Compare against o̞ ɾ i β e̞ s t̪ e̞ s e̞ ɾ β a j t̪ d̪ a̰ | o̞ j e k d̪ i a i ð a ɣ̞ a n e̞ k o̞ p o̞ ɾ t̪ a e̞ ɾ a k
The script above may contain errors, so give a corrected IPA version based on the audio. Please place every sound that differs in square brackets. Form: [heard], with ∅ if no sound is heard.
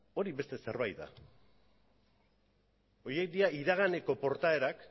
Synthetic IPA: o̞ ɾ i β e̞ s t̪ e̞ s e̞ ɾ β a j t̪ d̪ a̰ | o̞ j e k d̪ i a i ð a ɣ̞ a n e̞ k o̞ p o̞ ɾ t̪ a e̞ ɾ a k